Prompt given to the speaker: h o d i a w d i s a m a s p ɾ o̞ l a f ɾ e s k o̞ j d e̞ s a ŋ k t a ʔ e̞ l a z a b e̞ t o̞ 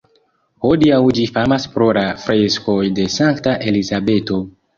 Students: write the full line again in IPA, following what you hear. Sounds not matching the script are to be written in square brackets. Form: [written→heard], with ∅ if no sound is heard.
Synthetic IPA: h o d i a w [d→d͡ʒ] i [s→f] a m a s p ɾ o̞ l a f ɾ e s k o̞ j d e̞ s a ŋ k t a ʔ e̞ l [a→i] z a b e̞ t o̞